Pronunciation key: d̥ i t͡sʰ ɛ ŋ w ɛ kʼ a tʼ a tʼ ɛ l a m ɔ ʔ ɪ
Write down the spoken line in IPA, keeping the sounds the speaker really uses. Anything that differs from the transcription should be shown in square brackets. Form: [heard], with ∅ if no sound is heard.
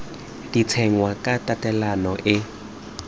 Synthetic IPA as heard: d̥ i t͡sʰ ɛ ŋ w [a] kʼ a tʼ a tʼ ɛ l a [n] ɔ ʔ ɪ